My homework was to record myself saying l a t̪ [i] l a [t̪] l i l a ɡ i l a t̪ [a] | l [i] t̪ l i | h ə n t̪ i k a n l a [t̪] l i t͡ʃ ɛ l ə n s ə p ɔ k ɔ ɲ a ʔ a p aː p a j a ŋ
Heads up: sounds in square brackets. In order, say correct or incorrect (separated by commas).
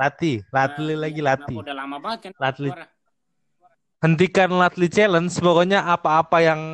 correct, correct, incorrect, incorrect, correct